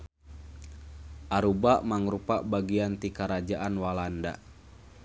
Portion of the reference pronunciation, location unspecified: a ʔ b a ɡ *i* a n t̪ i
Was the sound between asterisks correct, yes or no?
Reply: yes